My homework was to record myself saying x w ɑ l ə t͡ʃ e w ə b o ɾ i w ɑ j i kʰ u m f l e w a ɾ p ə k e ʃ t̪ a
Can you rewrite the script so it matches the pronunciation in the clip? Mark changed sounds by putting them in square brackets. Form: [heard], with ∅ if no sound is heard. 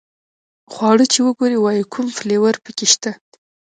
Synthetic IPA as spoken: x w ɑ [ɽ] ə t͡ʃ e w ə [ɡ] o ɾ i w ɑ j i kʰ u m f l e w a ɾ p ə k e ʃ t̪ a